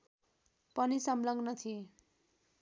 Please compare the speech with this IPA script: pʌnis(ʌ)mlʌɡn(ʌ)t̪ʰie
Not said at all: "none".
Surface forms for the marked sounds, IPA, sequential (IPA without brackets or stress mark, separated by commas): ʌ, ʌ